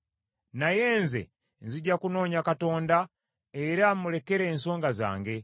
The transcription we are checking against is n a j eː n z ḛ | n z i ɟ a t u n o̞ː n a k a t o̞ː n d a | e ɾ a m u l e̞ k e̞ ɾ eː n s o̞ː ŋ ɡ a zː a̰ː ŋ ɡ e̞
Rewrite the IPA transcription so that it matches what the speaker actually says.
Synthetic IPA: n a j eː n z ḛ | n z i ɟ a k u n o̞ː ɲ a k a t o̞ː n d a | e ɾ a m u l e̞ k e̞ ɾ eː n s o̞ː ŋ ɡ a z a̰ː ŋ ɡ e̞